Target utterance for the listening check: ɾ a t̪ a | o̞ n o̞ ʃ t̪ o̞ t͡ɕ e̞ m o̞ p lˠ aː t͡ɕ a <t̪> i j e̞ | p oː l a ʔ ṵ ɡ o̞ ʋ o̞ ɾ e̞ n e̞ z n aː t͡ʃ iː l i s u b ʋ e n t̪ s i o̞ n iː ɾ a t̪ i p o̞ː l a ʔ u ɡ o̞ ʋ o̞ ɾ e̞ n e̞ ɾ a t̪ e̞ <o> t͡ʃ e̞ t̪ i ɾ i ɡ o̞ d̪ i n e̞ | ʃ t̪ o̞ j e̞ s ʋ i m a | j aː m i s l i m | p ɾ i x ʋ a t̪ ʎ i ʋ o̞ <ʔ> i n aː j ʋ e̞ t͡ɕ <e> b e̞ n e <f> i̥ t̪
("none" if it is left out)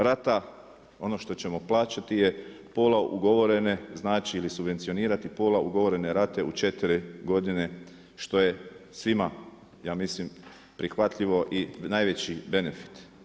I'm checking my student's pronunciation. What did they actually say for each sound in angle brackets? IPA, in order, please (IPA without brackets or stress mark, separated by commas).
t̪, u, ʔ, i, f